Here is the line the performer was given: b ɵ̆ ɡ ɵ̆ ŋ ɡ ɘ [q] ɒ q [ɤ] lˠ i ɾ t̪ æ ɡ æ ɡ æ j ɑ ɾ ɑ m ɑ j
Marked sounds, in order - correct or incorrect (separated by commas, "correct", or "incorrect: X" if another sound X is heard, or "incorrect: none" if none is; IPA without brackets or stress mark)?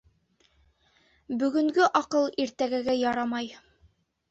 incorrect: ʔ, correct